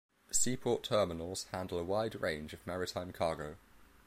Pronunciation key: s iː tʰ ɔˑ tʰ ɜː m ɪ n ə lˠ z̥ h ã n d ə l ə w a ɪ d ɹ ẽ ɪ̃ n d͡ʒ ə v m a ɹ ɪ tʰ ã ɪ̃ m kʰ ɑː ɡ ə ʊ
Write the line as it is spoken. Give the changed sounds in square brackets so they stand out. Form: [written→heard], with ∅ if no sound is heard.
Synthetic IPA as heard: s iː [tʰ→pʰ] ɔˑ tʰ ɜː m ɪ n ə lˠ z̥ h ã n d ə l ə w a ɪ d ɹ ẽ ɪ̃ n d͡ʒ ə v m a ɹ ɪ tʰ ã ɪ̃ m kʰ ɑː ɡ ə ʊ